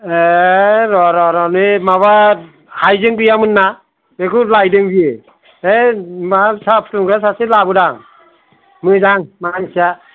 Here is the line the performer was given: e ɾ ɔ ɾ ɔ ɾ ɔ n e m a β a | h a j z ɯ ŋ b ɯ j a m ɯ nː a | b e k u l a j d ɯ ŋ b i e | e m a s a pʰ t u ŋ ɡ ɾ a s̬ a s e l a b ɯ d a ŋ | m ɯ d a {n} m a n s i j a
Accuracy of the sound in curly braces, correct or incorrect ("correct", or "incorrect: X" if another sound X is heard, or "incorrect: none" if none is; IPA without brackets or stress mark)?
incorrect: ŋ